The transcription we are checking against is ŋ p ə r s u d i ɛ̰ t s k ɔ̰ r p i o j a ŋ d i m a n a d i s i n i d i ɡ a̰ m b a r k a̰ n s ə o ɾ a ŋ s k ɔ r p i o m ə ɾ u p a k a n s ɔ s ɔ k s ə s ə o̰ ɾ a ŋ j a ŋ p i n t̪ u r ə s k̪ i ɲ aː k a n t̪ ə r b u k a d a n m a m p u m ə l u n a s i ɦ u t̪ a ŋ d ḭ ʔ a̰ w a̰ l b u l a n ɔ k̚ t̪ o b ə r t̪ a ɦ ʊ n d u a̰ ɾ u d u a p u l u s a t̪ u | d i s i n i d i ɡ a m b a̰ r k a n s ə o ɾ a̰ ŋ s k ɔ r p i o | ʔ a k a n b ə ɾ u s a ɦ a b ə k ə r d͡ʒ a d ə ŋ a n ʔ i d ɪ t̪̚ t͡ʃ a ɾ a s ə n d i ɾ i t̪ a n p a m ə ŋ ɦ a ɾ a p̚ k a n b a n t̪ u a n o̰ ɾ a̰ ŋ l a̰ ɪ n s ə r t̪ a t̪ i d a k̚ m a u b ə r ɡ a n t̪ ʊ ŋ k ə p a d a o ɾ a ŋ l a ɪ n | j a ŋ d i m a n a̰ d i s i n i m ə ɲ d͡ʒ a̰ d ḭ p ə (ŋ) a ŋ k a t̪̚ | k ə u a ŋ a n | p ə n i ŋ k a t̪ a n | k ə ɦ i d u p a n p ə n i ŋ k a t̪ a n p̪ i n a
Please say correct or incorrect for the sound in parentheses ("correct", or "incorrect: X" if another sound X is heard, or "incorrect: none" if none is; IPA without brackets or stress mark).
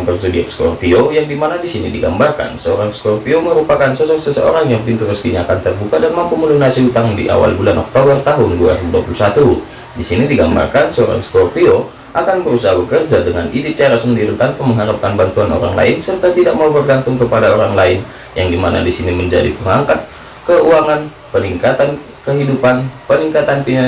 correct